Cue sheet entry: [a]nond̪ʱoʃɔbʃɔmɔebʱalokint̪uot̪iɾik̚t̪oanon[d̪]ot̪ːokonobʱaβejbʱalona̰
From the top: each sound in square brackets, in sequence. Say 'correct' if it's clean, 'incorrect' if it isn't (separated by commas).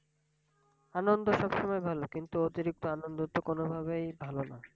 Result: correct, correct